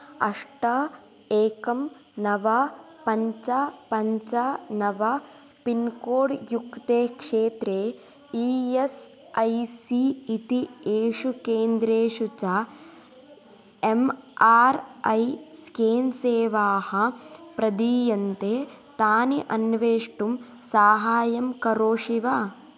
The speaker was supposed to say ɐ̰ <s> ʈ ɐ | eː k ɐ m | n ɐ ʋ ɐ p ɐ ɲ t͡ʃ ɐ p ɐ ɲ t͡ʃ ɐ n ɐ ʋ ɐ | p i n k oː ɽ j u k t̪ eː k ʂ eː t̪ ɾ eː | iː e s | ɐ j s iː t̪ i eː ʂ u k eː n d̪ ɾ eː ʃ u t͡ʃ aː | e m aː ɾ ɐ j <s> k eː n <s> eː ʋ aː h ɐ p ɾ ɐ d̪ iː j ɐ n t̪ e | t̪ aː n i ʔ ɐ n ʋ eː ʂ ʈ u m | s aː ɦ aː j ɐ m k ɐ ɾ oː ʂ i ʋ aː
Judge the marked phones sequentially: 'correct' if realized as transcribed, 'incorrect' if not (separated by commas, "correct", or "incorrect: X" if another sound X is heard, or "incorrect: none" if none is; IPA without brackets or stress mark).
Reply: incorrect: ʂ, correct, correct